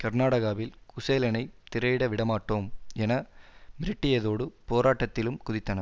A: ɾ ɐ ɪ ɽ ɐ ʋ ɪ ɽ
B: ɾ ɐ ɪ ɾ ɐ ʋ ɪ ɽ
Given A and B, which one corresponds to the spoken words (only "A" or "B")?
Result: A